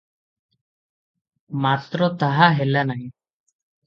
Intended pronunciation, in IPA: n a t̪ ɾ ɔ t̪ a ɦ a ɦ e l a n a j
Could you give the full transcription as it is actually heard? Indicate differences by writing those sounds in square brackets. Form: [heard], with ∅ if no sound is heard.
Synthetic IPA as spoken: [m] a t̪ ɾ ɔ t̪ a ɦ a ɦ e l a n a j